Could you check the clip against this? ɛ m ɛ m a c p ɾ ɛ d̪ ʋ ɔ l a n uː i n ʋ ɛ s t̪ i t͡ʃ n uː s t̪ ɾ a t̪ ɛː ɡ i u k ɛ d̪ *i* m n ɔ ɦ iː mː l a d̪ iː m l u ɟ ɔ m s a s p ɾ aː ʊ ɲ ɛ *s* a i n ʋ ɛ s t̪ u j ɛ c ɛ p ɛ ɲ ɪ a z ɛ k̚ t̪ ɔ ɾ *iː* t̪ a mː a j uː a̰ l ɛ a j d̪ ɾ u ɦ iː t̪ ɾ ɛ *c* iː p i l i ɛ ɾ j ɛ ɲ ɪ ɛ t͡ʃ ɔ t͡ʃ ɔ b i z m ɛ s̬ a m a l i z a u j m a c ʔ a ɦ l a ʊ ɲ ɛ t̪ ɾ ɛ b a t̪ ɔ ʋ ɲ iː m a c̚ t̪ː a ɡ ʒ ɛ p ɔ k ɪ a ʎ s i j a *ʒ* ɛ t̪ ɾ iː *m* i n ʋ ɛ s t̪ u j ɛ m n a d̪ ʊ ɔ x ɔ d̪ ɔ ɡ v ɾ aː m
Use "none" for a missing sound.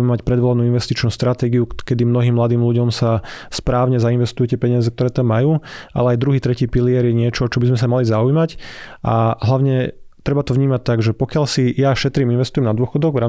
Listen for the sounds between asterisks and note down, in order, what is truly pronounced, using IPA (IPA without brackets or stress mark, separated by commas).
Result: i, z, ɛː, c, ʃ, m